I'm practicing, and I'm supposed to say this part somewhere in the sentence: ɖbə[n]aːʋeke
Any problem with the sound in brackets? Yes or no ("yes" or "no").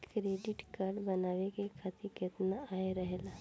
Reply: no